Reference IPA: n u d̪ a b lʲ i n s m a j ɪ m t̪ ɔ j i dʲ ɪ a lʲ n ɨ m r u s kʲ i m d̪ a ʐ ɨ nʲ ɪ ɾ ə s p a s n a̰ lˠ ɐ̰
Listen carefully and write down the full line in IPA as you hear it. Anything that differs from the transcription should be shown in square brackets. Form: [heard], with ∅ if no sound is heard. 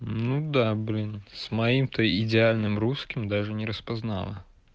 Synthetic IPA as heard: n u d̪ a b lʲ i n s m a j [i] m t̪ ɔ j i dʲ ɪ a lʲ n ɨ m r u s kʲ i m d̪ a ʐ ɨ nʲ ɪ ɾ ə s p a [z] n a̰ lˠ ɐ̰